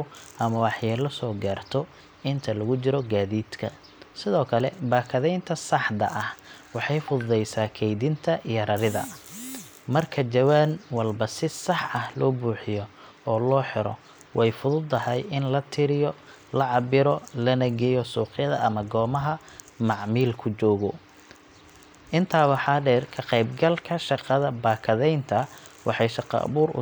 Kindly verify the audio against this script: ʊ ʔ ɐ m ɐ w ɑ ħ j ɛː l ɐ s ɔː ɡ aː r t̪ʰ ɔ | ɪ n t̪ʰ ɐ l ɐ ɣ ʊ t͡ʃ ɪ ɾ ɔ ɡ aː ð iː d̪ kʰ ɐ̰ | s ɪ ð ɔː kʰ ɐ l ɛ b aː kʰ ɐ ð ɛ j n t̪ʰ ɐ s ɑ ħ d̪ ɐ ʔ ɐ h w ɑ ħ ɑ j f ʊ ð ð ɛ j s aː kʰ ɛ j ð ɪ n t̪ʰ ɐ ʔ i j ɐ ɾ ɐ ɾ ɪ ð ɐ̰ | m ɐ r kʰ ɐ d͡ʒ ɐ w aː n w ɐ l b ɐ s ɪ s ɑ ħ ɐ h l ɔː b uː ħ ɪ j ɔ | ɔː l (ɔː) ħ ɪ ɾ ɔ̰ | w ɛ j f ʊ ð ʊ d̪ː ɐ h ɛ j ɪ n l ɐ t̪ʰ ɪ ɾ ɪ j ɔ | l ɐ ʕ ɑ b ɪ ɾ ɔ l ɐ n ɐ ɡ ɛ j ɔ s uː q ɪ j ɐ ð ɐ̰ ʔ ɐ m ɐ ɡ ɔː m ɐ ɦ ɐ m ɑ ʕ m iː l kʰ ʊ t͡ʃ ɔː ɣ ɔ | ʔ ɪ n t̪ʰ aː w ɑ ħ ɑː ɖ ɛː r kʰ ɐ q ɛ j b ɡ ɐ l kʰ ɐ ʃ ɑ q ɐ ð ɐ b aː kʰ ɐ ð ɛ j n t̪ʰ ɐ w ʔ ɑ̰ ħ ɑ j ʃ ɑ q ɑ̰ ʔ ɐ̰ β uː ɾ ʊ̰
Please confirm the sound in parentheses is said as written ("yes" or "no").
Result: yes